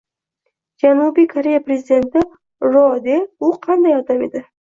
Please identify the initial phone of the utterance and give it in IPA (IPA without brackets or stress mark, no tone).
d͡ʒ